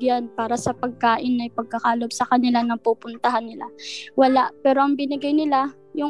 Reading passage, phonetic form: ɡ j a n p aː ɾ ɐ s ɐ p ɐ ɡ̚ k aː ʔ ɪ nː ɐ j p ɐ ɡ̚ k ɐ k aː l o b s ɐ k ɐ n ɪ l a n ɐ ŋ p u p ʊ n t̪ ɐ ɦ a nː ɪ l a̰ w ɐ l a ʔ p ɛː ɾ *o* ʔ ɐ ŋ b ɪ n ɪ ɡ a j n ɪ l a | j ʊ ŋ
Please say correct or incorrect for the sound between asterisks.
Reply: correct